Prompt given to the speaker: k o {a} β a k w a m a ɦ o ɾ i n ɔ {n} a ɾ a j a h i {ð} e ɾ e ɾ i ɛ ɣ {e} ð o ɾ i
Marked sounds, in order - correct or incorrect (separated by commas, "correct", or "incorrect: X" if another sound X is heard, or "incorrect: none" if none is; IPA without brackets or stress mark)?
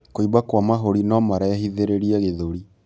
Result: incorrect: i, incorrect: m, correct, correct